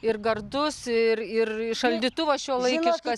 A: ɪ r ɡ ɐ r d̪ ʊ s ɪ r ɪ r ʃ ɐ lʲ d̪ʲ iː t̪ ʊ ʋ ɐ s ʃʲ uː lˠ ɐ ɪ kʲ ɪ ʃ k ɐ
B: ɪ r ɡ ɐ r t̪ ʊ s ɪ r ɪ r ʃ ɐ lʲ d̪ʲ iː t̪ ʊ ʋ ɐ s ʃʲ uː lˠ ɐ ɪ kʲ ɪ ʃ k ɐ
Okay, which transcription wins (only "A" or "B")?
A